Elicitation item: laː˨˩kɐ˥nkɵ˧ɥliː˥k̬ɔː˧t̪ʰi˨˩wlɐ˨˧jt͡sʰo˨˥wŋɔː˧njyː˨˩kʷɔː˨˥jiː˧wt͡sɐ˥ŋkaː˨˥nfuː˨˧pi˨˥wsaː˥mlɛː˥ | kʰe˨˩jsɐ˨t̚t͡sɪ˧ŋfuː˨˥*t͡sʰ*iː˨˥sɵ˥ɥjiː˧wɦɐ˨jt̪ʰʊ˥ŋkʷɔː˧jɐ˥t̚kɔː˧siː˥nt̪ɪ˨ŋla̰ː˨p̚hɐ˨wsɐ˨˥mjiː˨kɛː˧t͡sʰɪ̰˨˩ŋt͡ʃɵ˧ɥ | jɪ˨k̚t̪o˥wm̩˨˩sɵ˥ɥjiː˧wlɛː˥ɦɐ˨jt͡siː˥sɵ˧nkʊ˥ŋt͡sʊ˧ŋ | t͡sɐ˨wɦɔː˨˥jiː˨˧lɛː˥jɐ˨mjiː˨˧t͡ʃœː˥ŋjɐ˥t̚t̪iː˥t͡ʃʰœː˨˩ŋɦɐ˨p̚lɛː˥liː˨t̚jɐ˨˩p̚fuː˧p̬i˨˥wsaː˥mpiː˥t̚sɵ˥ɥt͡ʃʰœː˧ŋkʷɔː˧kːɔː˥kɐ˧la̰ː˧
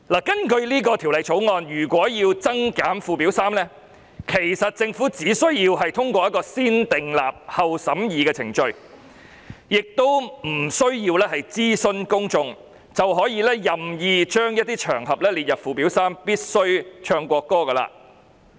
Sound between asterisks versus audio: incorrect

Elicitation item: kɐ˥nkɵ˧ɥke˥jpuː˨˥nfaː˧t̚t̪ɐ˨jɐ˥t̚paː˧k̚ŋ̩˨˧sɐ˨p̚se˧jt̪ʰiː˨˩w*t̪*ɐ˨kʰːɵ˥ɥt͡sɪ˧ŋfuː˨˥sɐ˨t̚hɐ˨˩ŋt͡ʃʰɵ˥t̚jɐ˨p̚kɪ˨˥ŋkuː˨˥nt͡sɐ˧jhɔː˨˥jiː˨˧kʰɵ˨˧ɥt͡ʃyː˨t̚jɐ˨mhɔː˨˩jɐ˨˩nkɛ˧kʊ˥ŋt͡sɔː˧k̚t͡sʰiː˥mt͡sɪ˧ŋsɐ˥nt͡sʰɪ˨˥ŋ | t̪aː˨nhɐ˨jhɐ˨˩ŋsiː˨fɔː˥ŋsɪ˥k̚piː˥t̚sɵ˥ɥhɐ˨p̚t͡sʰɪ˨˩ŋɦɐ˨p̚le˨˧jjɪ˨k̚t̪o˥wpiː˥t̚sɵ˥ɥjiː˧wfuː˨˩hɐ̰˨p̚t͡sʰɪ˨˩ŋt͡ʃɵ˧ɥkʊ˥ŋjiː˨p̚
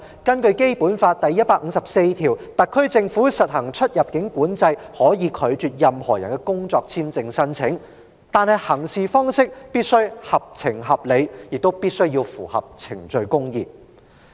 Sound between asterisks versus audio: correct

